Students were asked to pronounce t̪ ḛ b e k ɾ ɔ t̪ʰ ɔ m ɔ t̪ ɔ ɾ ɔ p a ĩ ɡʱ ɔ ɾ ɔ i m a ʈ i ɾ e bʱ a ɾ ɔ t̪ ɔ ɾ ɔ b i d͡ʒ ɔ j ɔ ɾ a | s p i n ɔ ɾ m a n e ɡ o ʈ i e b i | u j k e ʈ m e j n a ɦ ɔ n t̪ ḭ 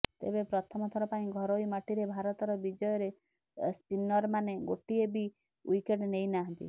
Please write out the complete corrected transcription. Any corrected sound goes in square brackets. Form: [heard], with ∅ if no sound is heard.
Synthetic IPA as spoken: t̪ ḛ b e [p] ɾ ɔ t̪ʰ ɔ m ɔ [t̪ʰ] ɔ ɾ ɔ p a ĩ ɡʱ ɔ ɾ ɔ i m a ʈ i ɾ e bʱ a ɾ ɔ t̪ ɔ ɾ ɔ b i d͡ʒ ɔ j ɔ ɾ [e] | s p i n ɔ ɾ m a n e ɡ o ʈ i e b i | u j k e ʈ [n] e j n a ɦ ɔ n t̪ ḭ